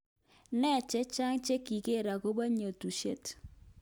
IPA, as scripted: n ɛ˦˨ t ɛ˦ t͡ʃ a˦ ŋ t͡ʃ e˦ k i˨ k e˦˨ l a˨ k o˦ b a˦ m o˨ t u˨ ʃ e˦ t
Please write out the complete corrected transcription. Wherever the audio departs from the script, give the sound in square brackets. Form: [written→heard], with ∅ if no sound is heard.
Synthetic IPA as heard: n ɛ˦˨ [t→t͡ʃ] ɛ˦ t͡ʃ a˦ ŋ t͡ʃ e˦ k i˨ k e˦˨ [l→ɾ] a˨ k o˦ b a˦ [m→ɲ] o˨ t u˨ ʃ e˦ t